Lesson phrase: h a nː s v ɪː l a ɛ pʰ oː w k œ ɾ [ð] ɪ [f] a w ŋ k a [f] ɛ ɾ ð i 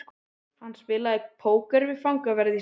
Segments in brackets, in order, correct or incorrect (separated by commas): incorrect, correct, incorrect